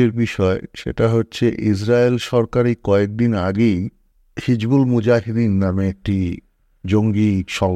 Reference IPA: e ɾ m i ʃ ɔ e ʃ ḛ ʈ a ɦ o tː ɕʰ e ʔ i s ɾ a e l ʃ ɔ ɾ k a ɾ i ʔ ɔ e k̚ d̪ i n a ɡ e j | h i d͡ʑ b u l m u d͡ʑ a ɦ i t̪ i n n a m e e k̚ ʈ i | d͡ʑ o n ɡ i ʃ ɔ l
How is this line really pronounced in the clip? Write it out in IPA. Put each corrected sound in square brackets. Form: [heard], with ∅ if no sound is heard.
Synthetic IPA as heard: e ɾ [b] i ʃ ɔ e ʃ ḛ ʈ a ɦ o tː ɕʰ e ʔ i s ɾ a e l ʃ ɔ ɾ k a ɾ i [k] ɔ e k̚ d̪ i n a ɡ e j | h i d͡ʑ b u l m u d͡ʑ a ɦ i [d̪] i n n a m e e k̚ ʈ i | d͡ʑ o [ŋ] ɡ i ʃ ɔ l